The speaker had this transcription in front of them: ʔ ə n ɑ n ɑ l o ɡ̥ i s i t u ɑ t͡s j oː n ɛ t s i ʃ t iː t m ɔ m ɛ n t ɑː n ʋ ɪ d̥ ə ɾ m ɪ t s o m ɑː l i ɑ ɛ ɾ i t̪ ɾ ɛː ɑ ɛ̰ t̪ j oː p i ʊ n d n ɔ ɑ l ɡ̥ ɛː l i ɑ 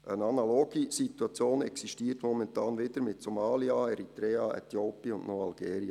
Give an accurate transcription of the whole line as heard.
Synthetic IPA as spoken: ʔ ə n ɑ n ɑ l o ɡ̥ i s i t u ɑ t͡s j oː n ɛ k s i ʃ t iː t m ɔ m ɛ n t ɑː n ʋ ɪ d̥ ə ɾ m ɪ t s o m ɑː l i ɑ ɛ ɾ i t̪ ɾ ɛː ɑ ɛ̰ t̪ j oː p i ʊ n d n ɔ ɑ l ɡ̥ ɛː ɾ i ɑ